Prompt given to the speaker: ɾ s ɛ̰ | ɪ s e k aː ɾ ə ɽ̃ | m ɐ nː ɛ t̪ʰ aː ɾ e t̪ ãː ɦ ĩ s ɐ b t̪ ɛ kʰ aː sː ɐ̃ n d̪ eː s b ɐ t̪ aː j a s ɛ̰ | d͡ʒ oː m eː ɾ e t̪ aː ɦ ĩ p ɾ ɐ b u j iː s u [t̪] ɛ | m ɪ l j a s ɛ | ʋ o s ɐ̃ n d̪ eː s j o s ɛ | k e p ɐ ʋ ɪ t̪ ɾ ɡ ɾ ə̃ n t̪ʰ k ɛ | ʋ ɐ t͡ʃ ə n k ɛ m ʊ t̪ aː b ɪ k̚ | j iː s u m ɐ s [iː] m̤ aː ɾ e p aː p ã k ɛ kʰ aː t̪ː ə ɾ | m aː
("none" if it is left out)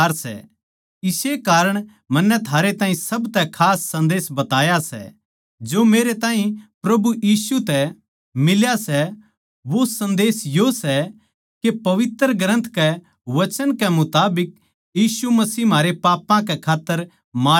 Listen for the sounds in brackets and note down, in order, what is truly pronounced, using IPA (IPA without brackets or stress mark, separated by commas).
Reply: t̪, iː